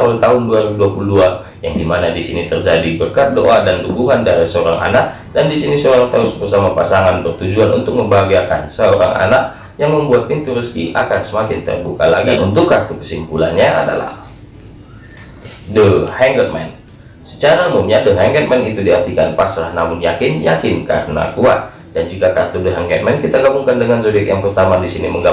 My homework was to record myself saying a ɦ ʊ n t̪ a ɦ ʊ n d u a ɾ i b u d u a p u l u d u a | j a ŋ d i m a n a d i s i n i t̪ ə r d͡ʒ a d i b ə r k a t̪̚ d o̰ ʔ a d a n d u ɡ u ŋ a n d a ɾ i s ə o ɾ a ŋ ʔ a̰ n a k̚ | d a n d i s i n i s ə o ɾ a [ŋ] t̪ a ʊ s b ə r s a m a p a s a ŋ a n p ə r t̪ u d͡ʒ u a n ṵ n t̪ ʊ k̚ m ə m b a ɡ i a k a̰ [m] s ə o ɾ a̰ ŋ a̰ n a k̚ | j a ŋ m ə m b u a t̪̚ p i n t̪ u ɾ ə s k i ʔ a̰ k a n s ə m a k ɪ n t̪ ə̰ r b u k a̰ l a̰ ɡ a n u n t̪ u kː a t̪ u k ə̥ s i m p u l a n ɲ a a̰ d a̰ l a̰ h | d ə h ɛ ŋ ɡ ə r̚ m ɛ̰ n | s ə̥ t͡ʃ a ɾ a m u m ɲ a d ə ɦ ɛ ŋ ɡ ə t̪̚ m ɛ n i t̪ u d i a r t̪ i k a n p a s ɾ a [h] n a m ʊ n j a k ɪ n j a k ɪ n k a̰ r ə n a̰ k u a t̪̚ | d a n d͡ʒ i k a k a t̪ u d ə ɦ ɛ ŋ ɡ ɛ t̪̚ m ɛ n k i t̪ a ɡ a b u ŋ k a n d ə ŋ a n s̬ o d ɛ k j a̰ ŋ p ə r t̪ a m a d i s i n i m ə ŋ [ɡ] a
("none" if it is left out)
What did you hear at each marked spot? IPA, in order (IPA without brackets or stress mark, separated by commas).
ŋ, n, h, ɡ